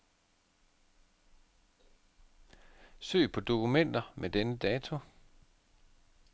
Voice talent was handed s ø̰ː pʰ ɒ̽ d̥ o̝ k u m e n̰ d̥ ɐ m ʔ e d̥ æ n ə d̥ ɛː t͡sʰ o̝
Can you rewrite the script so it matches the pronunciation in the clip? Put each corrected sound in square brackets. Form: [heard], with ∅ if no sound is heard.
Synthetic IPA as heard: s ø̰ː pʰ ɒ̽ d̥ o̝ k u m e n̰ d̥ ɐ m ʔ e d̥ [e] n ə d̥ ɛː t͡sʰ o̝